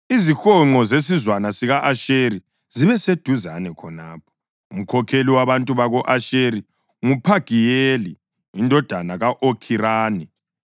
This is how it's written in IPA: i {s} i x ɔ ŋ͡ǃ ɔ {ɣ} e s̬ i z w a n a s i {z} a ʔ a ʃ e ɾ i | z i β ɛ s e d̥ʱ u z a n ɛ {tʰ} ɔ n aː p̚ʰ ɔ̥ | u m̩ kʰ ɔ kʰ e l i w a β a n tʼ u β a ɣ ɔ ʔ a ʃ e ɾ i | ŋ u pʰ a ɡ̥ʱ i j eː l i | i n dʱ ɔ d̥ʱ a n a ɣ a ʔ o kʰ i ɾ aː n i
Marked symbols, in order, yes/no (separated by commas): no, no, no, no